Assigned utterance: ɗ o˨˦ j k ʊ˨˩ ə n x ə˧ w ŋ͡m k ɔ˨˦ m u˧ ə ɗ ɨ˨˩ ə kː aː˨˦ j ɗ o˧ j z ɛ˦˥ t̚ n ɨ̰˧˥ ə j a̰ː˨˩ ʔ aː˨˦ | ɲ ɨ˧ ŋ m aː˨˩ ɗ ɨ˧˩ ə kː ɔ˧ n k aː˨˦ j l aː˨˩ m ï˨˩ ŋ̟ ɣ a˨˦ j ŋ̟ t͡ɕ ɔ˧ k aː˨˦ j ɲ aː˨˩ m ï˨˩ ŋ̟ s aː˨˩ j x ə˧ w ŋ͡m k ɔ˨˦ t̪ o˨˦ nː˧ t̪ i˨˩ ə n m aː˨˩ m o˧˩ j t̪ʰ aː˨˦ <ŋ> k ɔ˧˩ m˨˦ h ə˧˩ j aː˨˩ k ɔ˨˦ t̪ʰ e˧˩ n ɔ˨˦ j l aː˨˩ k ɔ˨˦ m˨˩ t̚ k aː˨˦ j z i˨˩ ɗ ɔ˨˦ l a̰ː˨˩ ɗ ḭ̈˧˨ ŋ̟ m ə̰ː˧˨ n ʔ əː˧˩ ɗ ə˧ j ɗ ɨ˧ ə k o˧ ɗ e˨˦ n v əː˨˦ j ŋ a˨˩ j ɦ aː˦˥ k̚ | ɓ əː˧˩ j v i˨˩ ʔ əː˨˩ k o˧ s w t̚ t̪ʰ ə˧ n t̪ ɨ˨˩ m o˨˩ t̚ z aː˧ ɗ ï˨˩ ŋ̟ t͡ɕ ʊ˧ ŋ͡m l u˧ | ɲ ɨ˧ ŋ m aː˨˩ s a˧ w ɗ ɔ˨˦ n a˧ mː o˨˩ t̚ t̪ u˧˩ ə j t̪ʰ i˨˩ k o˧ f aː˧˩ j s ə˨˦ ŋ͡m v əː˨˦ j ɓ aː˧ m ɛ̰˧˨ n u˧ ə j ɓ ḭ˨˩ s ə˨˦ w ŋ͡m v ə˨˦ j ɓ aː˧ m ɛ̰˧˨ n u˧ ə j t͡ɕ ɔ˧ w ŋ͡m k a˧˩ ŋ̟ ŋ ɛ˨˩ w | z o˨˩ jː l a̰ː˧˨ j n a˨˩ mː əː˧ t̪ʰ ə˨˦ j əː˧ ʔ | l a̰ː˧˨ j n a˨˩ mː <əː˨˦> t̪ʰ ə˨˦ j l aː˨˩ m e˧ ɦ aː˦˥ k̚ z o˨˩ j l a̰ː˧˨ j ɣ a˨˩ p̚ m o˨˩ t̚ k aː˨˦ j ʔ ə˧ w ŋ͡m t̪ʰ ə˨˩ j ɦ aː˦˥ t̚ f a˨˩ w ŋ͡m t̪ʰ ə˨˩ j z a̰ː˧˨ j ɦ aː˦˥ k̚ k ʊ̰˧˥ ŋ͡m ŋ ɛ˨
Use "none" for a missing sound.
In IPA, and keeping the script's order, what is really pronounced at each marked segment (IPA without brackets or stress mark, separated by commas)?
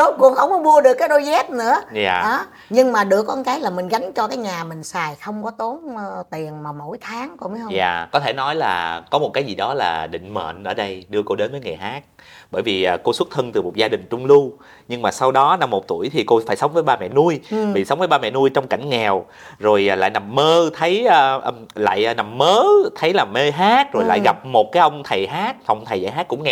ŋ, əː˨˦